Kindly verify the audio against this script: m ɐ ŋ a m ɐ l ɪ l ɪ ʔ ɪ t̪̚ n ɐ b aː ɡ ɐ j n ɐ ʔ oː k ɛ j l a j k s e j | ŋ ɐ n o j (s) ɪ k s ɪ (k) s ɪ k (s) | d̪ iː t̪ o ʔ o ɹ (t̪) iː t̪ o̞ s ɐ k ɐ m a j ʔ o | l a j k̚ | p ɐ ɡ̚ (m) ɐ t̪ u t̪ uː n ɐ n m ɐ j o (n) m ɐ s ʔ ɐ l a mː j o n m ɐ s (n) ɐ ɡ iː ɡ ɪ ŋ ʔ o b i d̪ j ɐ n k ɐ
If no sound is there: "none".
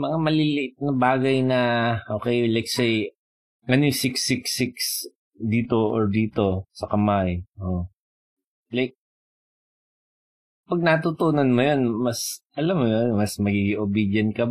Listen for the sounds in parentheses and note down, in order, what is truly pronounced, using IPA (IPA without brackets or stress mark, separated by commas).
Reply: s, k, s, d̪, n, n, m